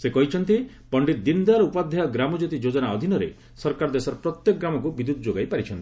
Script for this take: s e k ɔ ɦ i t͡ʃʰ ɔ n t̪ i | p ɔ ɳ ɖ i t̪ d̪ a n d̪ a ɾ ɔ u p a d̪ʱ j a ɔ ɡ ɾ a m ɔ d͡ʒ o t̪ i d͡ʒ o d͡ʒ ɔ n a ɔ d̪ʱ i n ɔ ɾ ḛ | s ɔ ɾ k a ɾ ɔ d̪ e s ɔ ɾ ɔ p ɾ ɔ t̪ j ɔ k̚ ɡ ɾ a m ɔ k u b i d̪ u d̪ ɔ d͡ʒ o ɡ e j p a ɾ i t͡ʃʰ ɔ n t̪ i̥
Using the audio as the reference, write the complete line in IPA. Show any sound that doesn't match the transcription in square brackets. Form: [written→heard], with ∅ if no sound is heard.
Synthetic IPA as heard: s e k ɔ ɦ i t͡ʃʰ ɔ n t̪ i | p ɔ ɳ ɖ i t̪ d̪ [a→i] n d̪ a ɾ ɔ u p a d̪ʱ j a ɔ ɡ ɾ a m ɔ d͡ʒ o t̪ i d͡ʒ o d͡ʒ ɔ n a ɔ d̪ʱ i n ɔ ɾ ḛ | s ɔ ɾ k a ɾ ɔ d̪ e s ɔ ɾ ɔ p ɾ ɔ t̪ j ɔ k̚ ɡ ɾ a m ɔ k u b i d̪ u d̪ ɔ d͡ʒ o ɡ [e→a] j p a ɾ i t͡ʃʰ ɔ n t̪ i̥